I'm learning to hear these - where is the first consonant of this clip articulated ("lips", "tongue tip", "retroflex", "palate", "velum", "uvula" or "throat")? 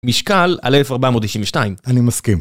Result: lips